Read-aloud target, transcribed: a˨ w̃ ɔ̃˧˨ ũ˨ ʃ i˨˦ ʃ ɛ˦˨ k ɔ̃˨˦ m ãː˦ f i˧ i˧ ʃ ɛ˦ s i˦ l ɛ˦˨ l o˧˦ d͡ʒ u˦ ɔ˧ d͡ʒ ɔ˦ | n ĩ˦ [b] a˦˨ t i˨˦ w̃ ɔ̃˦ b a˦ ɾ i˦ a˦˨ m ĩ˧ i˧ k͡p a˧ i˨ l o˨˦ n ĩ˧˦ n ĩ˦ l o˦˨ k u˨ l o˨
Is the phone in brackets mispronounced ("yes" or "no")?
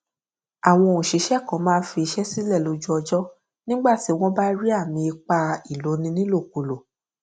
yes